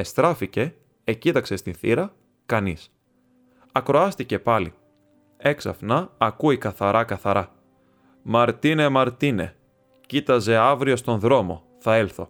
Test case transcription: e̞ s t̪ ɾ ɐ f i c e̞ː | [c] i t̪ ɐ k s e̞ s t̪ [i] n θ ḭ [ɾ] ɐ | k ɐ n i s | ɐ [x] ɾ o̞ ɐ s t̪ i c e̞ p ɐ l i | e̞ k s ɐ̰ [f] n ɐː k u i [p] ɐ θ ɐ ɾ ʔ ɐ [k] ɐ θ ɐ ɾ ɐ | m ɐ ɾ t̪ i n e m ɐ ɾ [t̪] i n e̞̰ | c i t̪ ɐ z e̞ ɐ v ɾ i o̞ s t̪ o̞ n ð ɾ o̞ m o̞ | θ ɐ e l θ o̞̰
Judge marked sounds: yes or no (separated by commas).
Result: yes, yes, yes, no, yes, no, yes, yes